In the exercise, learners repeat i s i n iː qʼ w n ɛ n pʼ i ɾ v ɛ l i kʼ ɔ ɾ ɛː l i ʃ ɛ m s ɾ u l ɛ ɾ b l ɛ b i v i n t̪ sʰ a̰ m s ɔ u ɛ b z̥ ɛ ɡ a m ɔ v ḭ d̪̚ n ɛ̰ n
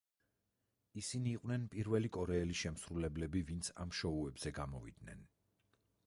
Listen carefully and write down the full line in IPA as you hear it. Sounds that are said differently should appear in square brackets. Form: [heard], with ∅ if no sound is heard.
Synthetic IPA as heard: i s i n iː qʼ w n ɛ n pʼ i ɾ v ɛ l i kʼ ɔ ɾ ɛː l i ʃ ɛ m s ɾ u l ɛ [∅] b l ɛ b i v i n t̪ sʰ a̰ m [ʃ] ɔ u ɛ b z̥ ɛ ɡ a m ɔ v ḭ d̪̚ n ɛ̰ n